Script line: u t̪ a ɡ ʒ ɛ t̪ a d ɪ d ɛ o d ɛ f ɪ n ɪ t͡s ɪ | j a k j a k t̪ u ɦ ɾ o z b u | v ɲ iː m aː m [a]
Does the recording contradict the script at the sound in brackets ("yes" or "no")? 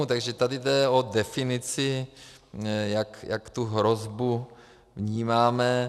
yes